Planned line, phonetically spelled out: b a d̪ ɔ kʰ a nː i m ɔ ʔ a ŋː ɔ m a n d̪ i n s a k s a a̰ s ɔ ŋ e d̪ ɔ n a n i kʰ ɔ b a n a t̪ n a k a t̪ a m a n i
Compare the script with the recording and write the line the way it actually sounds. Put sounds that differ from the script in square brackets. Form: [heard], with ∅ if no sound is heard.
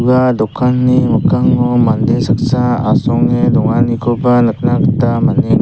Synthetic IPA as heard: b a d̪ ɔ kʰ a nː i m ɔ [k] a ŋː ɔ m a n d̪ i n s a k s a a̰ s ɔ ŋ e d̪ ɔ [ŋ] a n i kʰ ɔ b a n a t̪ n a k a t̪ a m a n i